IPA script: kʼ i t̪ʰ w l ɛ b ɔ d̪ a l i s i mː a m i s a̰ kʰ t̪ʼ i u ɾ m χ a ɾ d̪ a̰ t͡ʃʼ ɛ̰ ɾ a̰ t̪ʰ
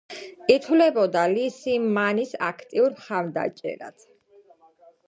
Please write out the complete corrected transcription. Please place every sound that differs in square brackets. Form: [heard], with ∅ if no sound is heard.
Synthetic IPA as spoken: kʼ i t̪ʰ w l ɛ b ɔ d̪ a l i s i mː a [n] i s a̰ kʰ t̪ʼ i u ɾ m χ a ɾ d̪ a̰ t͡ʃʼ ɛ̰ ɾ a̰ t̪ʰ